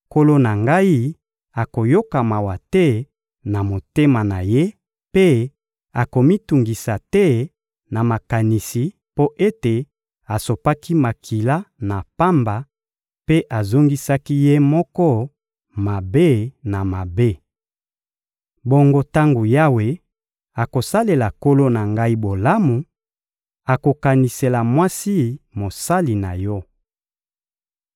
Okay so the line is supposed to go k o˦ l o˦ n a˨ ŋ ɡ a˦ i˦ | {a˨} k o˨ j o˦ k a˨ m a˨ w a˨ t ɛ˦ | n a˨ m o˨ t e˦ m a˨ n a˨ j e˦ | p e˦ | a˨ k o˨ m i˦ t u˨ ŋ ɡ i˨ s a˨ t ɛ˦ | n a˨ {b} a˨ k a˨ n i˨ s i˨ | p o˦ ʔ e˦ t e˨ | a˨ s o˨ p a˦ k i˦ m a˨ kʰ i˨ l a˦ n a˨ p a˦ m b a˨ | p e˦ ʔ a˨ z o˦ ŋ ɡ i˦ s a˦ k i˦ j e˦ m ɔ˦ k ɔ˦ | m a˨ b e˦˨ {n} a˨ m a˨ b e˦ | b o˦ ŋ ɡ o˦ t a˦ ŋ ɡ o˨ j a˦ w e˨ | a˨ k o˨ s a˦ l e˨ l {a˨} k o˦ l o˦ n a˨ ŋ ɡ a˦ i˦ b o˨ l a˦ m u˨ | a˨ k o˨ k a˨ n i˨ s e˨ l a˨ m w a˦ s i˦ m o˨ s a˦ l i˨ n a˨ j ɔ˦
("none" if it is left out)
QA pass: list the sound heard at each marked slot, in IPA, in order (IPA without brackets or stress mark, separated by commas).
a˨, m, n, a˨